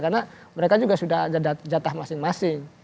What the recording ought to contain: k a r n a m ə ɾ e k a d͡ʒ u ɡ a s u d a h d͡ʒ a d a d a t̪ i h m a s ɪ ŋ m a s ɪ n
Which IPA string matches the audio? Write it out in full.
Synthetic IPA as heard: k a r n a m ə ɾ e k a d͡ʒ u ɡ a s u d a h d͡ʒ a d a d͡ʒ a t̪ a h m a s ɪ ŋ m a s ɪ ŋ